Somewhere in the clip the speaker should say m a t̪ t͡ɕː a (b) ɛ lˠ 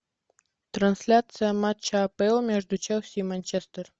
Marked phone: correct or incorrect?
incorrect